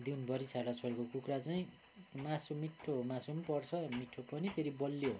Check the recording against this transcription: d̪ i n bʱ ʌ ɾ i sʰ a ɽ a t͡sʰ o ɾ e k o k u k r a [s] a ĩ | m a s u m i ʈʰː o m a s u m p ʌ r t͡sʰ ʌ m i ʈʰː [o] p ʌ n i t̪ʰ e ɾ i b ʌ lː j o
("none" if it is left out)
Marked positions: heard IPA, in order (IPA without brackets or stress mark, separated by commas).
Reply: t͡s, o